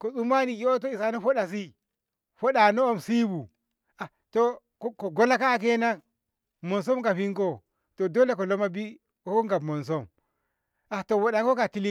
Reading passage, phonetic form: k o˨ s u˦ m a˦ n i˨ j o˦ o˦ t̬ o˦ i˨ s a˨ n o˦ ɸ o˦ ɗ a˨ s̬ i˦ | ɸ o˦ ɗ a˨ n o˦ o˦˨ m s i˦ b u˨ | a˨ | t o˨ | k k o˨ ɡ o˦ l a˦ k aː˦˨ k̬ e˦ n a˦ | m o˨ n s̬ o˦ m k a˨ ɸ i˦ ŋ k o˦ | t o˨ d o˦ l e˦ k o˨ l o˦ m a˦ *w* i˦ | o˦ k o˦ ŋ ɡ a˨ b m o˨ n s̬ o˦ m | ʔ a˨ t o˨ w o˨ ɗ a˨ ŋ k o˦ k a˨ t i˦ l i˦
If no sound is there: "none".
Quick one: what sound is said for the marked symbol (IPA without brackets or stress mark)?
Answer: b